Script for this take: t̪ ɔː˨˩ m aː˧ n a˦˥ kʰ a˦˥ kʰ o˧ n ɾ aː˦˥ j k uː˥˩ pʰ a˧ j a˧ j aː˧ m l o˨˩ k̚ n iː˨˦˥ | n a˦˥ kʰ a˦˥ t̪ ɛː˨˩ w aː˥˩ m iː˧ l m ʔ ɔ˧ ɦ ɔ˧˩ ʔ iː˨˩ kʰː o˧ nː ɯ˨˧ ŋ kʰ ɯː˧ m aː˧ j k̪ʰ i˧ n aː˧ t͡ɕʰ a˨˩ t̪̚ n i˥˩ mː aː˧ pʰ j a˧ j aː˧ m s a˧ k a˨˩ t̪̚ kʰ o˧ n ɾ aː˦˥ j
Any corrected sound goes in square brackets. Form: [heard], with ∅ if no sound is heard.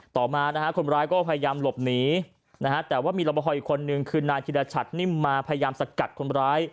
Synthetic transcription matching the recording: t̪ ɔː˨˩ m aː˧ n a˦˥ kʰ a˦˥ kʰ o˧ n ɾ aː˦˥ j k [ɔː˥˩] pʰ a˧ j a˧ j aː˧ m l o˨˩ [p̚] n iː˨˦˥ | n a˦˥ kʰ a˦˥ t̪ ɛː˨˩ w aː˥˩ m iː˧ l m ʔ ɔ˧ ɦ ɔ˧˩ ʔ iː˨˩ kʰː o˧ nː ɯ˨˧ ŋ kʰ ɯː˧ [n] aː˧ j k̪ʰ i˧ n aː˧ t͡ɕʰ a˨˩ t̪̚ n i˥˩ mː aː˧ pʰ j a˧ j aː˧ m s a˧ k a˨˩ t̪̚ kʰ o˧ n ɾ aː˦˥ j